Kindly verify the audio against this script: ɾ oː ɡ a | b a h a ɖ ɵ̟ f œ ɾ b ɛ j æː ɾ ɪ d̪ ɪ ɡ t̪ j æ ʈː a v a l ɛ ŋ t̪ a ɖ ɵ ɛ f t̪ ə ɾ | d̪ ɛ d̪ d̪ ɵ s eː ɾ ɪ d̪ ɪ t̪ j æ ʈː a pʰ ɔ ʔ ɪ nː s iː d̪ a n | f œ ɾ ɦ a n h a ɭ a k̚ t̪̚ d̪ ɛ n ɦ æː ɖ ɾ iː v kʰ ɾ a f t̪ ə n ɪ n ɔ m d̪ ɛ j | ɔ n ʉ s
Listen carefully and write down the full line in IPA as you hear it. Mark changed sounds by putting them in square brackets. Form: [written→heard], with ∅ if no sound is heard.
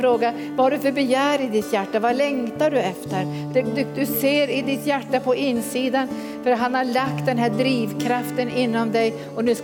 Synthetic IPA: ɾ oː ɡ a | [b→v] a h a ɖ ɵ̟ f œ ɾ b ɛ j æː ɾ ɪ d̪ ɪ [ɡ→∅] t̪ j æ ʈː a v a l ɛ ŋ t̪ a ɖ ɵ ɛ f t̪ ə ɾ | d̪ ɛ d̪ d̪ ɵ s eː ɾ ɪ d̪ ɪ t̪ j æ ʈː a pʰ ɔ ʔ ɪ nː s iː d̪ a n | f œ ɾ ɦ a n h a ɭ a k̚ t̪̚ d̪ ɛ n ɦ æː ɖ ɾ iː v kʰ ɾ a f t̪ ə n ɪ [n→nː] ɔ m d̪ ɛ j | ɔ n ʉ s